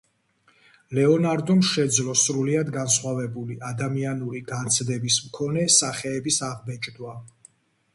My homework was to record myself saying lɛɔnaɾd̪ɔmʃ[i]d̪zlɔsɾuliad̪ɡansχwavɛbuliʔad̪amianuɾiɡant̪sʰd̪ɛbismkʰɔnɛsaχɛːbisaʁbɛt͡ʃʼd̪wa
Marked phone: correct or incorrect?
incorrect